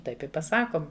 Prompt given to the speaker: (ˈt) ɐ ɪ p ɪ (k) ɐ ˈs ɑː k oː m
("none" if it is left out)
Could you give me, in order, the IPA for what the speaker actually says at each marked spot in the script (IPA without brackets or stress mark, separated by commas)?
t, p